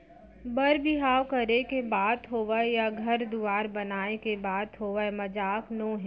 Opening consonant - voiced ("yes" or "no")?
yes